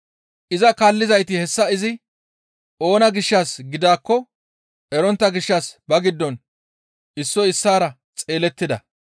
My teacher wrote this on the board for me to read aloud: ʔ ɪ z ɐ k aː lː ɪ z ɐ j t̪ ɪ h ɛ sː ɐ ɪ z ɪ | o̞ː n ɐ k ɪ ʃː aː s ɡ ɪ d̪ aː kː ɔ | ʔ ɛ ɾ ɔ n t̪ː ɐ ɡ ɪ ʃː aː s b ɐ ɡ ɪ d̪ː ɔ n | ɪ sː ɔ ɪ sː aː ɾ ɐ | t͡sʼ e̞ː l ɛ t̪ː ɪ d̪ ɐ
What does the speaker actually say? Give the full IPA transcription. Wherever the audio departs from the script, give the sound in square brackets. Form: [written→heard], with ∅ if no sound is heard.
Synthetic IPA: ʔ ɪ z ɐ k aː lː ɪ z ɐ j t̪ ɪ h ɛ sː ɐ ɪ z ɪ | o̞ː n ɐ [k→ɡ] ɪ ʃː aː s ɡ ɪ d̪ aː kː ɔ | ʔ ɛ ɾ ɔ n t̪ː ɐ ɡ ɪ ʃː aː s b ɐ ɡ ɪ d̪ː ɔ n | ɪ sː ɔ ɪ sː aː ɾ ɐ | t͡sʼ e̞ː l ɛ t̪ː ɪ d̪ ɐ